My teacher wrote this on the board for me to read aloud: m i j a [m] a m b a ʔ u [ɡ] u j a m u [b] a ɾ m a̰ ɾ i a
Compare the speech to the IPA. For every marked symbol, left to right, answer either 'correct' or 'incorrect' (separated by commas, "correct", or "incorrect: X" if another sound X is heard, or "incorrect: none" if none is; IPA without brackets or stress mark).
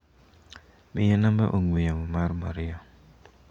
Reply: incorrect: n, incorrect: ŋ, incorrect: m